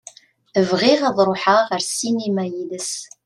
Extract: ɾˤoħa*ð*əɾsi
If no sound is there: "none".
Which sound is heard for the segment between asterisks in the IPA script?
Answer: ʁ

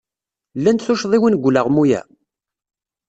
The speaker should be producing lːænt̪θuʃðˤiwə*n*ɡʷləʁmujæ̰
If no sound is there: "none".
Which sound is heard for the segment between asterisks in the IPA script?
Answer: n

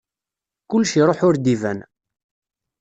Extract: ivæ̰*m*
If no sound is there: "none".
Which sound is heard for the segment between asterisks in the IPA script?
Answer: n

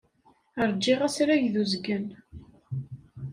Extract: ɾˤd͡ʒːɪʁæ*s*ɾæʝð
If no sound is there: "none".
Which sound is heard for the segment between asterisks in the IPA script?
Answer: s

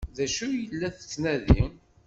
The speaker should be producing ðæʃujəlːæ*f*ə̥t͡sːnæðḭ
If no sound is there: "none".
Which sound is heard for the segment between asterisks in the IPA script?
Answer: θ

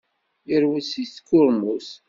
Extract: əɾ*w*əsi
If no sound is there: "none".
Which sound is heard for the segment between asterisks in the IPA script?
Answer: w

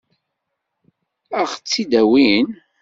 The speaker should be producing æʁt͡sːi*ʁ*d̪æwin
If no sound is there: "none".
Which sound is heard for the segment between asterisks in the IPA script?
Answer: none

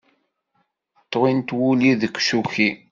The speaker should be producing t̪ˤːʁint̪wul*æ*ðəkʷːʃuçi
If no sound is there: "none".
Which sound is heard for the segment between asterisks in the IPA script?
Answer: i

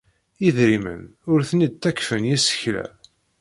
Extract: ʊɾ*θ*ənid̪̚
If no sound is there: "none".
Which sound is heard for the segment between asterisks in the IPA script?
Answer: θ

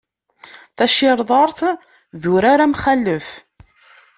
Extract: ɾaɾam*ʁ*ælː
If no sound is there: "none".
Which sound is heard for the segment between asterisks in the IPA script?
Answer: χ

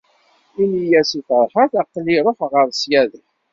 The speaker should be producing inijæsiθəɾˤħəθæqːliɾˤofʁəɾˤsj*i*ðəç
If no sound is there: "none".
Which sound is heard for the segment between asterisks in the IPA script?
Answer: æ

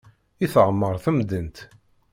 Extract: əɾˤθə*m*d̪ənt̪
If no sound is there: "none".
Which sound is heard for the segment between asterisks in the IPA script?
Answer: m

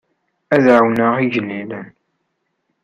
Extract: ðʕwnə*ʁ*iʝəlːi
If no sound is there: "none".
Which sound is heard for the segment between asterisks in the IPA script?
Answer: ʁ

